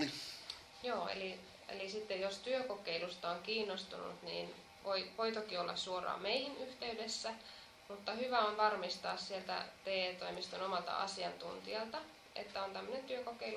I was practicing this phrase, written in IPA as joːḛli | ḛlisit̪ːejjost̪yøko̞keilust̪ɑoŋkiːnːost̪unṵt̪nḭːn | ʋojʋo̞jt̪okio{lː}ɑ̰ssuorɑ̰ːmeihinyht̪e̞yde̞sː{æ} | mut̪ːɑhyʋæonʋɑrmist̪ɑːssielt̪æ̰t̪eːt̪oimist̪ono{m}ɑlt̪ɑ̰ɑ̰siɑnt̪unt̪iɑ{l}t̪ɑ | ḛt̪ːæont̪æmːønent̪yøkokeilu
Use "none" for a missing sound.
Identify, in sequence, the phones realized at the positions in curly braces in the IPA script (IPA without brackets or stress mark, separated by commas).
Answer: lː, æ, m, l